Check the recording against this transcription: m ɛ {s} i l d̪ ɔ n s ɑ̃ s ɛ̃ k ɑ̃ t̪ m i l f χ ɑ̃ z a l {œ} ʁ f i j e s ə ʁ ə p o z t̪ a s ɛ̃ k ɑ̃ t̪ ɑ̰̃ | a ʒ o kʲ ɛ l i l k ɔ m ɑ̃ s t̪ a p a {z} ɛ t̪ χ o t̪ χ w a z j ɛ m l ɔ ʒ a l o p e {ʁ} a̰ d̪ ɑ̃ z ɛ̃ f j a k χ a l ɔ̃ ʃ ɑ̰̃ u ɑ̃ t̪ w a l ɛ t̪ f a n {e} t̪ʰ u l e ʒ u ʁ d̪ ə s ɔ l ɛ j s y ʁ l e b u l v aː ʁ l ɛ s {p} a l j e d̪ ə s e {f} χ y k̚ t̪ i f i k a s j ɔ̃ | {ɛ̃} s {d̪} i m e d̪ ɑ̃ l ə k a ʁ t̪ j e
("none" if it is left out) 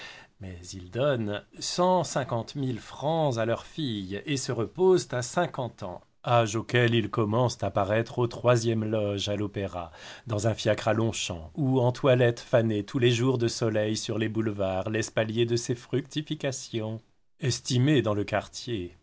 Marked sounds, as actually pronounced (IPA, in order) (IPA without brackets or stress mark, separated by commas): z, œ, ʁ, ʁ, e, p, f, ɛ, t̪